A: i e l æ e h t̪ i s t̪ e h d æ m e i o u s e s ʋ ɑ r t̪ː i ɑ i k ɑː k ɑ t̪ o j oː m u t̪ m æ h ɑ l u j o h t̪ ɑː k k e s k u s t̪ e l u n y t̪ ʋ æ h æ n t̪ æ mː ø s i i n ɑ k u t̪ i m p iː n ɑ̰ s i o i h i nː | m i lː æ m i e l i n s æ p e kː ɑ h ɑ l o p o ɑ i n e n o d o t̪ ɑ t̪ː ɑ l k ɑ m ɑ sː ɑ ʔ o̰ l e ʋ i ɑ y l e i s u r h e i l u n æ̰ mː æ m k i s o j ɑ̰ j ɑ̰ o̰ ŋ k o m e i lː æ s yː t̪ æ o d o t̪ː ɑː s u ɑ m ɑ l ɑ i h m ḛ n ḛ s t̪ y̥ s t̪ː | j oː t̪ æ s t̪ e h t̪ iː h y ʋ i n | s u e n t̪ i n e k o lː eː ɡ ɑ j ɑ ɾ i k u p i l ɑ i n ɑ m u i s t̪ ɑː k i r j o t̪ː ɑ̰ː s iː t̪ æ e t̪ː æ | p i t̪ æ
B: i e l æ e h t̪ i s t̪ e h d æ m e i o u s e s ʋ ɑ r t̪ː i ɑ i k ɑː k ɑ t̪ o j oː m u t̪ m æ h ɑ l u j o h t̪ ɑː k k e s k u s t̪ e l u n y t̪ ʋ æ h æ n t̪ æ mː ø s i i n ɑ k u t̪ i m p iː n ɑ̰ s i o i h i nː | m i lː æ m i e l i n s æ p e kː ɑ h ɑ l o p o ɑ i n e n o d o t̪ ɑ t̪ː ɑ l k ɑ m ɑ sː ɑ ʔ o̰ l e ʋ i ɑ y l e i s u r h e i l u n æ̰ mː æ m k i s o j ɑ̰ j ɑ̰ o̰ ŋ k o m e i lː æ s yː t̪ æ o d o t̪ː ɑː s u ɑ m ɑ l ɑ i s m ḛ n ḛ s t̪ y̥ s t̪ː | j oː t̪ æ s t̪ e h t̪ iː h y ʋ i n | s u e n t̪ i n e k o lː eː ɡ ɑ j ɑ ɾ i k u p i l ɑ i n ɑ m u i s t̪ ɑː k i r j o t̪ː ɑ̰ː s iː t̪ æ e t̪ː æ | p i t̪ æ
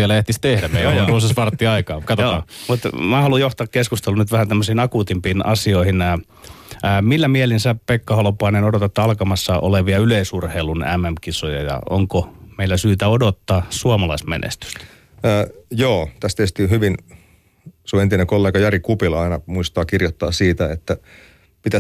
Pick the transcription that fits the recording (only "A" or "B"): B